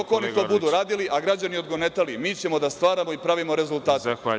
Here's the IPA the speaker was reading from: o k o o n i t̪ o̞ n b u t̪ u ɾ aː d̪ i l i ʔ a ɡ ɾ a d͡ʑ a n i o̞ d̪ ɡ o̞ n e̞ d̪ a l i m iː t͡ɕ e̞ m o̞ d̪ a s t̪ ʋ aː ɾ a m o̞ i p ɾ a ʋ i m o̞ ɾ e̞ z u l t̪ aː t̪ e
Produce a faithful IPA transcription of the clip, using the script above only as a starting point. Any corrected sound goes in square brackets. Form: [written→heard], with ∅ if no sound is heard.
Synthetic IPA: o k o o n i t̪ o̞ [n→∅] b u [t̪→d̪] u ɾ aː d̪ i l i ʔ a ɡ ɾ a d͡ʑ a n i o̞ d̪ ɡ o̞ n e̞ [d̪→t̪] a l i m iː t͡ɕ e̞ m o̞ d̪ a s t̪ ʋ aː ɾ a m o̞ i p ɾ a ʋ i m o̞ ɾ e̞ z u l t̪ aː t̪ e